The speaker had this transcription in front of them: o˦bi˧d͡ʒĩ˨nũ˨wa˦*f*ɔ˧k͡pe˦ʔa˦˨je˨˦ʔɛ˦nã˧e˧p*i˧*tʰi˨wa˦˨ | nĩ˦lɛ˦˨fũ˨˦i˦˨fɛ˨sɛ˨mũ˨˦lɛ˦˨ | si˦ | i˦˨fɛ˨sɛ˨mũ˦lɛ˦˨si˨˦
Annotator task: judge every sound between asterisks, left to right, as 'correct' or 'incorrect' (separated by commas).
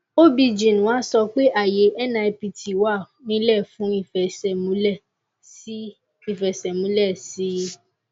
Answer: incorrect, correct